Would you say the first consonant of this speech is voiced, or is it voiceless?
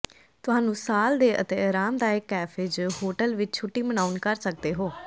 voiceless